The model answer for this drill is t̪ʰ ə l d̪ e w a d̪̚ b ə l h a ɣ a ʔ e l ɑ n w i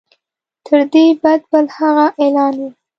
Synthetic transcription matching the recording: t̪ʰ ə ɾ d̪ e b a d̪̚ b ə l h a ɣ a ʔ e l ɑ n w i